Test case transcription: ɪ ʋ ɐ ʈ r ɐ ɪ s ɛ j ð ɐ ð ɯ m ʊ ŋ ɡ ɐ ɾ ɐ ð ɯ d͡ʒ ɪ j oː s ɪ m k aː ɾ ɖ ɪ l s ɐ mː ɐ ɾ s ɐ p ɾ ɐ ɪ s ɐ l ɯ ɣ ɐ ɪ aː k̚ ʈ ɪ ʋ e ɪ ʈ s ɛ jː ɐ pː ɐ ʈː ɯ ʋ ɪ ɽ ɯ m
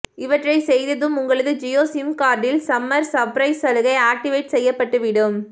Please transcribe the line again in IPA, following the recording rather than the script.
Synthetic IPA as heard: ɪ ʋ ɐ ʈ r ɐ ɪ s ɛ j ð ɐ ð ɯ m ʊ ŋ ɡ ɐ ɭ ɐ ð ɯ d͡ʒ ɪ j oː s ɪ m k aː ɾ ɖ ɪ l s ɐ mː ɐ ɾ s ɐ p ɾ ɐ ɪ s ɐ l ɯ ɣ ɐ ɪ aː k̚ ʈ ɪ ʋ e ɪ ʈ s ɛ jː ɐ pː ɐ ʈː ɯ ʋ ɪ ɽ ɯ m